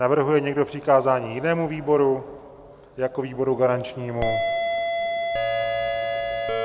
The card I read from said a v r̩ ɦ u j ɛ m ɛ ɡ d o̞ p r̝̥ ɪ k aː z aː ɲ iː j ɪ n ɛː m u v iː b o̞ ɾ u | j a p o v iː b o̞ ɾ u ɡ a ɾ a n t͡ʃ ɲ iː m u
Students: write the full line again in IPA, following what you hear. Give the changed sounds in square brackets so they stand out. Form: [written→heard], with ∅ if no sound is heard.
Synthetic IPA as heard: a v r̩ ɦ u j ɛ [m→ɲ] ɛ ɡ d o̞ p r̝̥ ɪ k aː z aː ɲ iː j ɪ n ɛː m u v iː b o̞ ɾ u | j a [p→k] o v iː b o̞ ɾ u ɡ a ɾ a n t͡ʃ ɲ iː m u